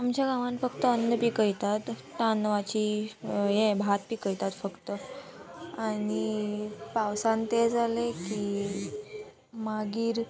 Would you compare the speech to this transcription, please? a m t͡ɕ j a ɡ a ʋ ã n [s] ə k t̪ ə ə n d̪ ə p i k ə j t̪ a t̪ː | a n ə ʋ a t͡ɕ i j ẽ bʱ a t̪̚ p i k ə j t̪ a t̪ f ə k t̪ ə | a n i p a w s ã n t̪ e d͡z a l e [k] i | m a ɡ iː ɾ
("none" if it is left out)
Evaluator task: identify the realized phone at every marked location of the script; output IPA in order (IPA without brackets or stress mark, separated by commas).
f, k